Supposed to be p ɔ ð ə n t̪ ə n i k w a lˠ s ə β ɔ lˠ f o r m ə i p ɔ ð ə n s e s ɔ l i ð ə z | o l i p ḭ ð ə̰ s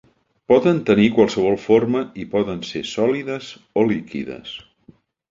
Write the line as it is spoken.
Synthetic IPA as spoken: p ɔ ð ə n t̪ ə n i k w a lˠ s ə β ɔ lˠ f o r m ə i p ɔ ð ə n s e s ɔ l i ð ə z | o l i k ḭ ð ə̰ s